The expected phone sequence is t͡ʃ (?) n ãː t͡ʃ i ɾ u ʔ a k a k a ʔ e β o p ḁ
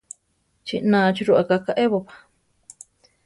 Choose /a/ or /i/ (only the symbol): i